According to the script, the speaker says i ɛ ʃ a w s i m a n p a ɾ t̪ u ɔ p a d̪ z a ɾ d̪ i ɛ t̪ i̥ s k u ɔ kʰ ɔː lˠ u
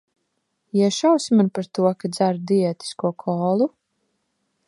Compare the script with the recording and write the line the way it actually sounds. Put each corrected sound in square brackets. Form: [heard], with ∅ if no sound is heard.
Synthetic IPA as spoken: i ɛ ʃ a w s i m a n p a ɾ t̪ u ɔ [k] a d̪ z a ɾ d̪ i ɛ t̪ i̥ s k u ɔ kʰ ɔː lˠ u